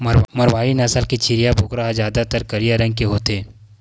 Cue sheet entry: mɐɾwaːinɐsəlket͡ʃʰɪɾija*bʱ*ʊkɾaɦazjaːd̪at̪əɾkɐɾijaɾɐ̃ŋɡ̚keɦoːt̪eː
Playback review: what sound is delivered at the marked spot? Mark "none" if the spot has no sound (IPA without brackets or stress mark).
bʱ